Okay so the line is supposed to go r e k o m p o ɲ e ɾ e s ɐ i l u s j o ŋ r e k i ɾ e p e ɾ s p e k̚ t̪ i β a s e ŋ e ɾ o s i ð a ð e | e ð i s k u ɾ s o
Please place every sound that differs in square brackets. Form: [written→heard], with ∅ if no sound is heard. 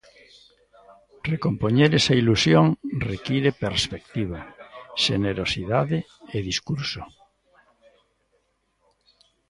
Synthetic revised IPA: r e k o m p o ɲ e ɾ e s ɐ i l u s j o ŋ r e k i ɾ e p e ɾ s p e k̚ t̪ i β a [s→ʃ] e [ŋ→n] e ɾ o s i ð a ð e | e ð i s k u ɾ s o